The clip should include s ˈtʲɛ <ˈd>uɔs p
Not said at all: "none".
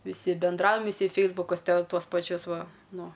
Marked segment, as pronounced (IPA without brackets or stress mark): t